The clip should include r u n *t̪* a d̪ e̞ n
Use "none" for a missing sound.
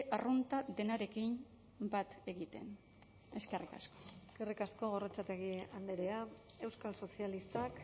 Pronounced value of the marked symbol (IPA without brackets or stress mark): t̪